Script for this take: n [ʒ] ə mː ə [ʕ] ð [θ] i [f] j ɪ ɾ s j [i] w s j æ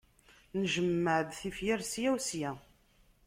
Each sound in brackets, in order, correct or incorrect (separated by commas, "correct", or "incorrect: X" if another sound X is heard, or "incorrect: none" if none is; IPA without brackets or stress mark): correct, correct, correct, correct, incorrect: æ